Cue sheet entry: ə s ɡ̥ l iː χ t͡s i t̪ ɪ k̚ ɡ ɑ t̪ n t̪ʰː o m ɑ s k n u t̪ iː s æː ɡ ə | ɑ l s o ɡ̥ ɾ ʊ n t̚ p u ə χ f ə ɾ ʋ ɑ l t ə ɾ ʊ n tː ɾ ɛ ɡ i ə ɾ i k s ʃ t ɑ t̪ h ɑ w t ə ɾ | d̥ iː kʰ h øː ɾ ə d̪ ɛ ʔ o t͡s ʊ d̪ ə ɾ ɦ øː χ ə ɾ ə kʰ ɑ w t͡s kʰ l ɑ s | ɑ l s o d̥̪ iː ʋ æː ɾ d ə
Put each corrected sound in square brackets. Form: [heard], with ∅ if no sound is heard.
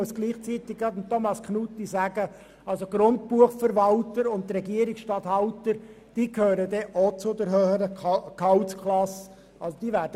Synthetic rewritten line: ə s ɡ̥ l iː χ t͡s i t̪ ɪ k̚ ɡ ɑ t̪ n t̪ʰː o m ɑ s k n u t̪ [i] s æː ɡ ə | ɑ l s o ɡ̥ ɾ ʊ n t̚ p u ə χ f ə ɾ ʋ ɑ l t ə ɾ ʊ n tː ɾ ɛ ɡ i ə ɾ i k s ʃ t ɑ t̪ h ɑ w t ə ɾ | d̥ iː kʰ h øː ɾ ə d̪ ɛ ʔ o t͡s ʊ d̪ ə ɾ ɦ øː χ ə ɾ ə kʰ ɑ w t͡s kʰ l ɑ s | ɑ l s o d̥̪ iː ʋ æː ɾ d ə